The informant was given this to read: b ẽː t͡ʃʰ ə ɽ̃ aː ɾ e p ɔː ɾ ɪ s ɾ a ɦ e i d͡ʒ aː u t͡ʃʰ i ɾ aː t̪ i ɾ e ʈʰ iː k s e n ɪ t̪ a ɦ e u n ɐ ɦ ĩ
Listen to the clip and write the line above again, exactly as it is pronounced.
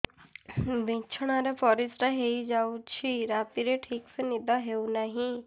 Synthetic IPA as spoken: b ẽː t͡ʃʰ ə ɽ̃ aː ɾ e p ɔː ɾ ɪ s ɾ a ɦ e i d͡ʒ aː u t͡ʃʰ i ɾ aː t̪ i ɾ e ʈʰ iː k s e n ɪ d̪ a ɦ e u n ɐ ɦ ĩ